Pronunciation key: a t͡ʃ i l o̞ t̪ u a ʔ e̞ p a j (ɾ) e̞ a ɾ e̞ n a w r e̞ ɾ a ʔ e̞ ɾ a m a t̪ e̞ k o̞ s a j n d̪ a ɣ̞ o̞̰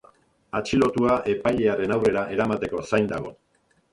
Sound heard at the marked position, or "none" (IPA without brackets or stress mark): ʎ